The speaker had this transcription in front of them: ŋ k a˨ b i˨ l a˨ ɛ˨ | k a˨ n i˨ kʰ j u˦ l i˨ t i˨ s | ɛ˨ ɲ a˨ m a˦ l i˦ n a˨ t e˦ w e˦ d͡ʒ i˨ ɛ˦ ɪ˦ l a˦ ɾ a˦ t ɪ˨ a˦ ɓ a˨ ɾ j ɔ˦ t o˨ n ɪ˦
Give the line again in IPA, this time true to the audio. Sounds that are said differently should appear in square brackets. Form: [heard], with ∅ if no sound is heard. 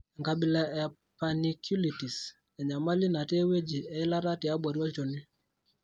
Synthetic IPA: ŋ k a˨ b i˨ l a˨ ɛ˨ | [p] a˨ n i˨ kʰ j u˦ l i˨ t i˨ s | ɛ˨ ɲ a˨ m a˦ l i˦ n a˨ t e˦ w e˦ d͡ʒ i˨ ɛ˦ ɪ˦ l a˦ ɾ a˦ t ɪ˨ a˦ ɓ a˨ ɾ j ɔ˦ [t͡ʃ] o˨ n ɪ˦